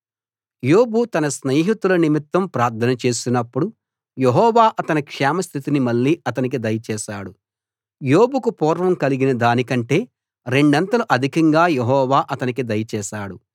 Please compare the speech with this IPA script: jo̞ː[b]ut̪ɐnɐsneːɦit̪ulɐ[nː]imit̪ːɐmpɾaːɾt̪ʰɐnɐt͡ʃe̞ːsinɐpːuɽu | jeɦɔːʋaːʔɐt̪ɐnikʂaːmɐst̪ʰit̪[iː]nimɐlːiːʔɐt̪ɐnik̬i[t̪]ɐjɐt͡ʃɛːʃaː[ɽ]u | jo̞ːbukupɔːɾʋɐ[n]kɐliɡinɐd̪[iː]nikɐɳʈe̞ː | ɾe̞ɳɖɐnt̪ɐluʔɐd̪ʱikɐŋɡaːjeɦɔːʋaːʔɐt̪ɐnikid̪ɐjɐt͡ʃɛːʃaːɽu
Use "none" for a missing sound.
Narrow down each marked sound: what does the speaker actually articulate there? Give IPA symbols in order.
b, n, i, d̪, ɽ, m, aː

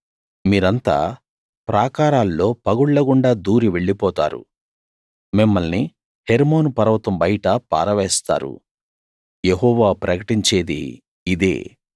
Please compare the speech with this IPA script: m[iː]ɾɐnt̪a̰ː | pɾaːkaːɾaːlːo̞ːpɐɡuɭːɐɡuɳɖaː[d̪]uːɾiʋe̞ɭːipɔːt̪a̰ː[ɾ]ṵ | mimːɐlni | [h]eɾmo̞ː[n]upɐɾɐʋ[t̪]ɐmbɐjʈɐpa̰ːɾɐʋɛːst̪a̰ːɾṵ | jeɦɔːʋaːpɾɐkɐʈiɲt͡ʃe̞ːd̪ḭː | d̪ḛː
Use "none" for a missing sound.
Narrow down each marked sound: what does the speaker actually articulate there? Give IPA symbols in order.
iː, d̪, ɾ, h, n, t̪

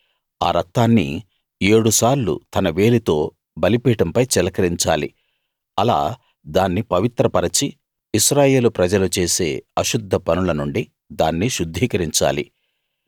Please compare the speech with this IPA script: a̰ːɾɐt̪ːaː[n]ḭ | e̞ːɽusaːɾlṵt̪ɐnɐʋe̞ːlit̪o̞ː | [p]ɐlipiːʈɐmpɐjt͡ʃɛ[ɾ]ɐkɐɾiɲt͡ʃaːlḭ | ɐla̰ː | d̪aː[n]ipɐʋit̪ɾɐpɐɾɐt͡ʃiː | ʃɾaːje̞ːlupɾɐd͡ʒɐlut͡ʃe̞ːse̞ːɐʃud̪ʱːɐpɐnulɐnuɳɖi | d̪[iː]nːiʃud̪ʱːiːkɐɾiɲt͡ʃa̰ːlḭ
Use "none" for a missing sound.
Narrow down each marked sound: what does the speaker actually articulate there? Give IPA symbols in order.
nː, b, l, nː, aː

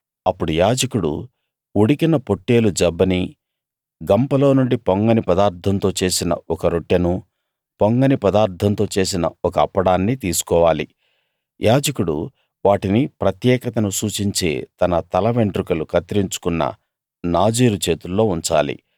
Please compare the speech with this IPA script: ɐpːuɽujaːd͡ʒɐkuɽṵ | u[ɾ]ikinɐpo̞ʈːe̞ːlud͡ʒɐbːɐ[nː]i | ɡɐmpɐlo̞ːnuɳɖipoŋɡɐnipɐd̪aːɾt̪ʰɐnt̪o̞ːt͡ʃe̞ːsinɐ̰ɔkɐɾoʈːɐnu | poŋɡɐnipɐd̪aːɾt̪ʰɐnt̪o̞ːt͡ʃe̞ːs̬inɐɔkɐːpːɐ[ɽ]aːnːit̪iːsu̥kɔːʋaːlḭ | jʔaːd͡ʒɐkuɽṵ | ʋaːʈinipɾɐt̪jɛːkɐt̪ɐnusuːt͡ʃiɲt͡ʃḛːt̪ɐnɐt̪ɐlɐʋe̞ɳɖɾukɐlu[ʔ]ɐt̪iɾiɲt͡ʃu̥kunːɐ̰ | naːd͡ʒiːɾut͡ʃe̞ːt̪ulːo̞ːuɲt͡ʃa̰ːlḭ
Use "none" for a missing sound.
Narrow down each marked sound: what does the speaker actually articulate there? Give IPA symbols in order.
ɽ, n, ɽ, k

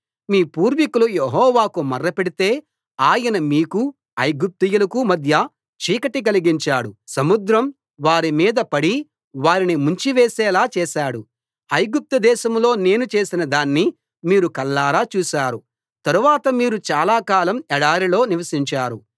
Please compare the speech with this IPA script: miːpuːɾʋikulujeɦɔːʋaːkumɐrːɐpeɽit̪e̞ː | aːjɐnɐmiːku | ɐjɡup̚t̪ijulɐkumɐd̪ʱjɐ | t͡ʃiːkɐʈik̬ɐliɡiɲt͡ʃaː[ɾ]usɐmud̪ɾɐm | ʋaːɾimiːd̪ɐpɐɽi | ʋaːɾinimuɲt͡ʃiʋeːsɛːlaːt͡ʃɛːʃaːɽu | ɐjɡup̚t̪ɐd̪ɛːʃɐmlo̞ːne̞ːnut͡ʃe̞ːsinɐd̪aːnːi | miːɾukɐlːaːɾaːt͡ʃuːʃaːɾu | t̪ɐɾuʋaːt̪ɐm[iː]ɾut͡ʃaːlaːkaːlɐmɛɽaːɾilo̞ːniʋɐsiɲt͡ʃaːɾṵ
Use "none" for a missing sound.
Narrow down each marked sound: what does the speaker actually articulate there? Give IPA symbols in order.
ɽ, iː

